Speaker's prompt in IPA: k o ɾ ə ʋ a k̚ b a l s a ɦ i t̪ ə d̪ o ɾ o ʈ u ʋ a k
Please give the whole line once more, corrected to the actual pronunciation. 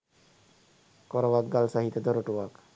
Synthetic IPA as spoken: k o ɾ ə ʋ a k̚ ɡ a l s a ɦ i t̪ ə d̪ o ɾ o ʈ u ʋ a k